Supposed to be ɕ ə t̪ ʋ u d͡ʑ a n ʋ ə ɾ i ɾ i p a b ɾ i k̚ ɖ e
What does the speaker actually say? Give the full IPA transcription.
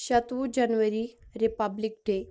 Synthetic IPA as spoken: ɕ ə t̪ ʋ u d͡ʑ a n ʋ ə ɾ i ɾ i p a b l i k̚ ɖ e